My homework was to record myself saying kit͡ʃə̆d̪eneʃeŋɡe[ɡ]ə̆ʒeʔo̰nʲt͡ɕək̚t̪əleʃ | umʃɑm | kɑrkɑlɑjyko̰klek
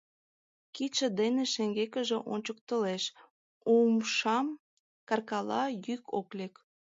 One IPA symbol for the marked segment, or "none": k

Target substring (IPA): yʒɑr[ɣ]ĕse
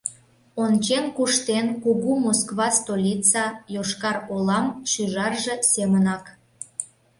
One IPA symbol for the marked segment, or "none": ʒ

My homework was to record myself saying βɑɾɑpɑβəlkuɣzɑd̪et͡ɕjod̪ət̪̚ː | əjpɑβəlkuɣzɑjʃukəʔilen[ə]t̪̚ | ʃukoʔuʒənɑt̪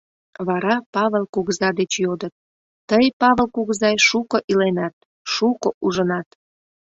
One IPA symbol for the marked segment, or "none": ɑ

